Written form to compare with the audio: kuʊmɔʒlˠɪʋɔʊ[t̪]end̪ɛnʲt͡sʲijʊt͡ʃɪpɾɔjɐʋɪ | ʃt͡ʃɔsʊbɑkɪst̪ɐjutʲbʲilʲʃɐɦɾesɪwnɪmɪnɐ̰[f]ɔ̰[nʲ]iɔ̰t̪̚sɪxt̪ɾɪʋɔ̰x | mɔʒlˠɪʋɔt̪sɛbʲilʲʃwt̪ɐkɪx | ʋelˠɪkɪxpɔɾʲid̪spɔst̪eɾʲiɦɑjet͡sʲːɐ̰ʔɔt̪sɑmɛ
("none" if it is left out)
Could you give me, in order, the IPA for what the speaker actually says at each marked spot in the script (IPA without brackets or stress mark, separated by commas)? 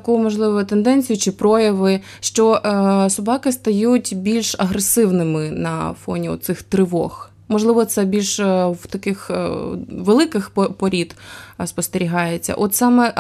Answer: t̪, f, nʲ